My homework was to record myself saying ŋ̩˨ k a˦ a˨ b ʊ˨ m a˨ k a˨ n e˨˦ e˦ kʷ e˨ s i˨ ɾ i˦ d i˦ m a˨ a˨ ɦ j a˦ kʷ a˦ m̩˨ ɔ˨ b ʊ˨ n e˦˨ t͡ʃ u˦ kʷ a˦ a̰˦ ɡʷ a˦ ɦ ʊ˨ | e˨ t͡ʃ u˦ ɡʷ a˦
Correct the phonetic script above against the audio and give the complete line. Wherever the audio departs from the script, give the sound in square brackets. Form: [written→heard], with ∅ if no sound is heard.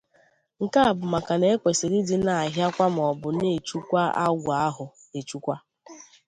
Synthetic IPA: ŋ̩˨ k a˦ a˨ b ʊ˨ m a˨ k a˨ n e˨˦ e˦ kʷ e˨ s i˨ ɾ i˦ d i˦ [m→n] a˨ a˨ ɦ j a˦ kʷ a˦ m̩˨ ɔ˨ b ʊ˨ n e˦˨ t͡ʃ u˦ kʷ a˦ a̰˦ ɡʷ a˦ ɦ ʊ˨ | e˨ t͡ʃ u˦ [ɡʷ→kʷ] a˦